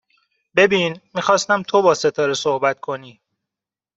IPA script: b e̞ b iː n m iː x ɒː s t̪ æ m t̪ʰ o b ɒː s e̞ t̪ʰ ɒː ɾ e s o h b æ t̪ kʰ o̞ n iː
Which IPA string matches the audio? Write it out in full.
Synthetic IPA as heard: b e̞ b iː n m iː x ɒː s t̪ æ m t̪ʰ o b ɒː s e̞ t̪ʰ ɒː ɾ e s o h b æ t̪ kʰ o̞ n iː